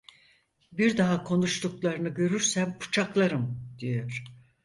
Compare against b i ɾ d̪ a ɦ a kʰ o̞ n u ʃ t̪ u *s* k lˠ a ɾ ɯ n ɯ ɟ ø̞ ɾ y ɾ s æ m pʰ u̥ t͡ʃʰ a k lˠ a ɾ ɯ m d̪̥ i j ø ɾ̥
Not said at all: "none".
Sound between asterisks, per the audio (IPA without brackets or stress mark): none